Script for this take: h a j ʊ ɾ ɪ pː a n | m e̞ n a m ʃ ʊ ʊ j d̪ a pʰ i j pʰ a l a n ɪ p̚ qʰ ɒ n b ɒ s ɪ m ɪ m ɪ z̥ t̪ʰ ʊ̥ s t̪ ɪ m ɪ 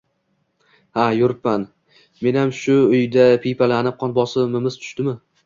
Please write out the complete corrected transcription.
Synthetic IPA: h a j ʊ ɾ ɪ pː a n | m e̞ n a m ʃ ʊ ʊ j d̪ a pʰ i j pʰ a l a n ɪ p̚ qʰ ɒ n b ɒ s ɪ m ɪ m ɪ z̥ t̪ʰ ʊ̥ ʃ t̪ ɪ m ɪ